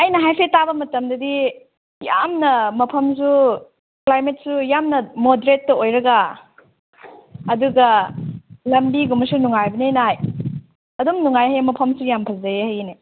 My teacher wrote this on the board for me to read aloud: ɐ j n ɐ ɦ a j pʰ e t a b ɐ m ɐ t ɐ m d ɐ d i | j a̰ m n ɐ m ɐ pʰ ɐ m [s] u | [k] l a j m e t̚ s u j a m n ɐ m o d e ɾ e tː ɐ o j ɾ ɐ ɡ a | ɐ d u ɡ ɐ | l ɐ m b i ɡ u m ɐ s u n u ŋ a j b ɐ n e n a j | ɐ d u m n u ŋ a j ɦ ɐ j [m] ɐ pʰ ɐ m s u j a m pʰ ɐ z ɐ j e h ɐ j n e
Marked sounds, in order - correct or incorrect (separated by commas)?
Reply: correct, correct, correct